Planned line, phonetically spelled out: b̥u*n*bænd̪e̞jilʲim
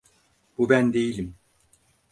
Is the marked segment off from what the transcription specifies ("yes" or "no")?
yes